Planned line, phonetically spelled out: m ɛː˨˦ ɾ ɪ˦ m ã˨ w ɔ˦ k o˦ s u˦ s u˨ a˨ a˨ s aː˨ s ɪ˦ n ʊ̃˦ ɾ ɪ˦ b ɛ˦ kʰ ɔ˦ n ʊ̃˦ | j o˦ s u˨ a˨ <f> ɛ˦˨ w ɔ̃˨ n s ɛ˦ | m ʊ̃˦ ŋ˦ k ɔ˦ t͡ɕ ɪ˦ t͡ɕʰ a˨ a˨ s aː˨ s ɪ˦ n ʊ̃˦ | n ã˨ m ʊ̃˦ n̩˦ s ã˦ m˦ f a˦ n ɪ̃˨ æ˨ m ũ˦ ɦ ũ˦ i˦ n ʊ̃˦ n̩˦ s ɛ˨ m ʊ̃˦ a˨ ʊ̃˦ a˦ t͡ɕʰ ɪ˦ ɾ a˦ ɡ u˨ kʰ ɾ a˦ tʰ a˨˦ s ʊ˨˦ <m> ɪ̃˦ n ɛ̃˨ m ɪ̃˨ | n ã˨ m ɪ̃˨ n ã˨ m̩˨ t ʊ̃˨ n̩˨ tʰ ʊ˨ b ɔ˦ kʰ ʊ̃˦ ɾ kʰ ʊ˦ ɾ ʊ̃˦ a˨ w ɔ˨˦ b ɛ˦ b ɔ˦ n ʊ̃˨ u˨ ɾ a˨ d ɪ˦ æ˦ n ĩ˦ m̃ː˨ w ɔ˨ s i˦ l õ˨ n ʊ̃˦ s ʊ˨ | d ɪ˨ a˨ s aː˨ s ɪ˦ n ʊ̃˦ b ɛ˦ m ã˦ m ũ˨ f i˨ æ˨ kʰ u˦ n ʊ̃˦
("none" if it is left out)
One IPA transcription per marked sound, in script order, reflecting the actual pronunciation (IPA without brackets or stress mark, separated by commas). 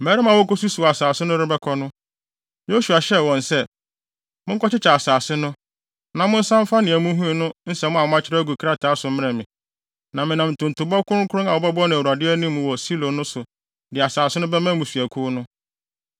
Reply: ɕ, m